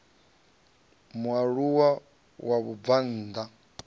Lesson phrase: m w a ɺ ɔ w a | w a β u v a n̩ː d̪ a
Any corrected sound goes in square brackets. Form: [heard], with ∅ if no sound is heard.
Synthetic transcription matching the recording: m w a ɺ [u] w a | w a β u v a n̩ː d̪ a